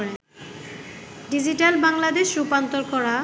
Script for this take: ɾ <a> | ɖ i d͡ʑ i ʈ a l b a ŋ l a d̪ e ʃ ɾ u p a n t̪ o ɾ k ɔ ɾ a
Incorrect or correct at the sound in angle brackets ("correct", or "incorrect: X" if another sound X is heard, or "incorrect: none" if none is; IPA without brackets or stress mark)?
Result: incorrect: e